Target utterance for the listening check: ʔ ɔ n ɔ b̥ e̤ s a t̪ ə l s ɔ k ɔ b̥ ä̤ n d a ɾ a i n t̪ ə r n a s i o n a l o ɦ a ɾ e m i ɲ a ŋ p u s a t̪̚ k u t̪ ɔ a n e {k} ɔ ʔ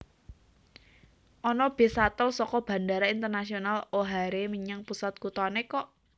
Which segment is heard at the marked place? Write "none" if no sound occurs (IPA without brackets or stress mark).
k